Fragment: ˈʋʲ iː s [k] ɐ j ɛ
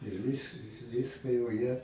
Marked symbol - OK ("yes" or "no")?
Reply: yes